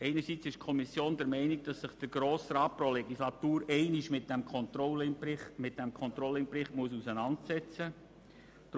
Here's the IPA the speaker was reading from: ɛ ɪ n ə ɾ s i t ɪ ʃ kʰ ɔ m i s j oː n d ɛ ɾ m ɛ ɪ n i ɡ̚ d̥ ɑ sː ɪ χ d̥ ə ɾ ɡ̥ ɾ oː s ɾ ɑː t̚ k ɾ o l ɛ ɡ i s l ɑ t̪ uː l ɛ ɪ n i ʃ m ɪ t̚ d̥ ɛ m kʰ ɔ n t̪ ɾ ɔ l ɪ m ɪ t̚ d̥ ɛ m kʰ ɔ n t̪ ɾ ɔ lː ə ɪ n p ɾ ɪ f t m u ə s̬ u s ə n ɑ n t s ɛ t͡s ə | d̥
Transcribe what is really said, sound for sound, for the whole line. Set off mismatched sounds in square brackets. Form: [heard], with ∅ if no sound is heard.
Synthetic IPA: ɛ ɪ n ə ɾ s i [t͡s] ɪ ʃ kʰ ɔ m i s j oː n d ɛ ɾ m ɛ ɪ n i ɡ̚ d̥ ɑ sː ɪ χ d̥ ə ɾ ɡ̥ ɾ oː s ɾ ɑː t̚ [p] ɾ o l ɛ ɡ i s l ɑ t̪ uː [ɾ] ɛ ɪ n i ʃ m ɪ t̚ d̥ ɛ m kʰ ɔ n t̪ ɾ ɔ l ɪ m ɪ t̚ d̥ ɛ m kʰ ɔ n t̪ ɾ ɔ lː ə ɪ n p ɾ ɪ [χ] t m u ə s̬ u s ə n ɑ n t s ɛ t͡s ə | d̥